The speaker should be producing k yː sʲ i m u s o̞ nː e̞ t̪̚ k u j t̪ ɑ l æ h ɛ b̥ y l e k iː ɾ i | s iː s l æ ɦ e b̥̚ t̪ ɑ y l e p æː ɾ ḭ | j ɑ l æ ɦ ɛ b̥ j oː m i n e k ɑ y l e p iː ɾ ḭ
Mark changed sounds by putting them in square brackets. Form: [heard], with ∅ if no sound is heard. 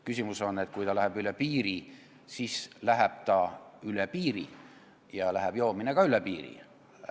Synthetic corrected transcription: k [y] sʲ i m u s o̞ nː e̞ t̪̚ k u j t̪ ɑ l æ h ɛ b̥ y l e [p] iː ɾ i | s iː s l æ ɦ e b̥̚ t̪ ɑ y l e p [iː] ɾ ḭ | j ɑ l æ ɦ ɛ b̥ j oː m i n e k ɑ y l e p iː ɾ ḭ